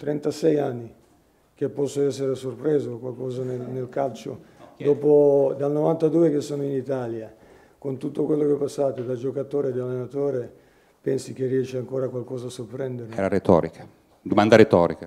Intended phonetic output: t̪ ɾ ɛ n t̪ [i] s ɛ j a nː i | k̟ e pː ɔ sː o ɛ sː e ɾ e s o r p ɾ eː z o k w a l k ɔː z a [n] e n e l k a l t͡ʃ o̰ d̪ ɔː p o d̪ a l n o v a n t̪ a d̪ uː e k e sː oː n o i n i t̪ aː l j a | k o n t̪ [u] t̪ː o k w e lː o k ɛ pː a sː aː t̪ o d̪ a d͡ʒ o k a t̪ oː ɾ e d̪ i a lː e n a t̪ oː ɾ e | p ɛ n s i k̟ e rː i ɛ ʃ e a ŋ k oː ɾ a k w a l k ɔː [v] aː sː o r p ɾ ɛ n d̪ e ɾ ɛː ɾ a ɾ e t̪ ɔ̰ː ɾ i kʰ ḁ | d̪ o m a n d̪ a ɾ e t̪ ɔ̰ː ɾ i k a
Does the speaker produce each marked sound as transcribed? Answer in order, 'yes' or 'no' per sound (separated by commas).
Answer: no, yes, yes, no